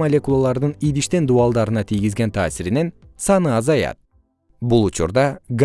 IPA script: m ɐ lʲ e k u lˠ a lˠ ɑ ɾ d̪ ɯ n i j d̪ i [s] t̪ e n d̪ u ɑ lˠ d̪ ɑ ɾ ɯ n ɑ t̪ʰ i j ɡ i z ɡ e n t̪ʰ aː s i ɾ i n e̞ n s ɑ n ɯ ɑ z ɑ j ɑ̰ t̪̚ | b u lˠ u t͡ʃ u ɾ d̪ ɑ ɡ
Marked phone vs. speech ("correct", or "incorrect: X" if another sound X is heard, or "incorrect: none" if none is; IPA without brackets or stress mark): incorrect: ʃ